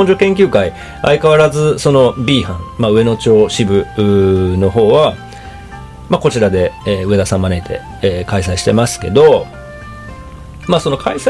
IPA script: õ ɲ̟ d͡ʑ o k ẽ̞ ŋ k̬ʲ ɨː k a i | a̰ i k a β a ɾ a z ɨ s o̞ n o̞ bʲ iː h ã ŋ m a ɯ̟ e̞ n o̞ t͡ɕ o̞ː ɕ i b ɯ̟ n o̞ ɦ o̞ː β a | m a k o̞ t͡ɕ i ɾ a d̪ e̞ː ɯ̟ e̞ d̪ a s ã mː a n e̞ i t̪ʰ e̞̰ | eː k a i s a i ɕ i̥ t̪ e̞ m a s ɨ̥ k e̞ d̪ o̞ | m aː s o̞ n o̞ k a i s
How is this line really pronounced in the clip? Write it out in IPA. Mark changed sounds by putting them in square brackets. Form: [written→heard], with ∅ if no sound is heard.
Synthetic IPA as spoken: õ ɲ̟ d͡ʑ o k ẽ̞ ŋ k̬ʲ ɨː k a i | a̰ i k a β a ɾ a z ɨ s o̞ n o̞ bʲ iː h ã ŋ m a ɯ̟ e̞ n o̞ t͡ɕ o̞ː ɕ i b ɯ̟ n o̞ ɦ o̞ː β a | m a k o̞ t͡ɕ i ɾ a d̪ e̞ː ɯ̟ e̞ d̪ a s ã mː a n e̞ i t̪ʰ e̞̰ | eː k a i s a i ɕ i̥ t̪ e̞ m a s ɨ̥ k e̞ d̪ o̞ | m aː s o̞ n o̞ k a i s